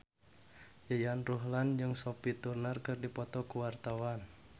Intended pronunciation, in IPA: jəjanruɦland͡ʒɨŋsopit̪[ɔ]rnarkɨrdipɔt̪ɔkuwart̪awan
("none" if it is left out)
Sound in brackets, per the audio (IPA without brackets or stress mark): u